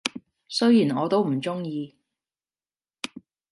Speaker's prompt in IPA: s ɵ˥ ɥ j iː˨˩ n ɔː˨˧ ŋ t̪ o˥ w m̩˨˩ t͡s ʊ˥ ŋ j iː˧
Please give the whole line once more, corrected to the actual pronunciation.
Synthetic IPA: s ɵ˥ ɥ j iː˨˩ n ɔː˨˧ t̪ o˥ w m̩˨˩ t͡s ʊ˥ ŋ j iː˧